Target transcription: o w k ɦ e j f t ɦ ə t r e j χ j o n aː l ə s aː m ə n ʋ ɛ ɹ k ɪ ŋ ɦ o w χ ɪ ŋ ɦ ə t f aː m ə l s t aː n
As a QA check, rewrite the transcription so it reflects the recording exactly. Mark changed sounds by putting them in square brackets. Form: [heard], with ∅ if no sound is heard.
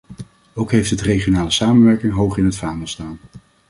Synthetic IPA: o w k ɦ e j f t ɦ ə t r e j χ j o n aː l ə s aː m ə n ʋ ɛ ɹ k ɪ ŋ ɦ o w χ ɪ [n] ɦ ə t f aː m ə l s t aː n